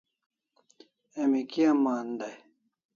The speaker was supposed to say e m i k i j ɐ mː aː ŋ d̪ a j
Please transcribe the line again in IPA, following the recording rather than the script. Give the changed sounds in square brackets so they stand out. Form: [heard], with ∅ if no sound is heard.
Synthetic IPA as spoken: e m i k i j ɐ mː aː [n] d̪ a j